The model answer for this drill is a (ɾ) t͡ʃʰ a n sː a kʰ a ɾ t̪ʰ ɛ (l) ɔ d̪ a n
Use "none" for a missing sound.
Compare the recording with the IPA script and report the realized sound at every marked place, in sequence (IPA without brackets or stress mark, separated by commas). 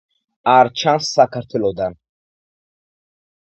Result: ɾ, l